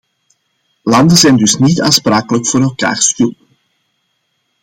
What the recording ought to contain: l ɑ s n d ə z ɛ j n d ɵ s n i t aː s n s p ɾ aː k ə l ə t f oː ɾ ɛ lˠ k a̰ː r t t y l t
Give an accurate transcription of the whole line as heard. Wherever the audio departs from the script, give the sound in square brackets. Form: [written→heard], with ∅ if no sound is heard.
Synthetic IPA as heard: l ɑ [s→∅] n d ə z ɛ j n d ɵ s n i t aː [s→∅] n s p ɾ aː k ə l ə [t→k] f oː ɾ ɛ lˠ k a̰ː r [t→s] t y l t